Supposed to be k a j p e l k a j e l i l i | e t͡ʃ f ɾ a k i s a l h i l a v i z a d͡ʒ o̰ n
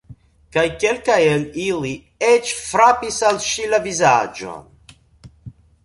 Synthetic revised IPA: k a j k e l k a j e l i l i | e t͡ʃ f ɾ a p i s a l ʃ i l a v i z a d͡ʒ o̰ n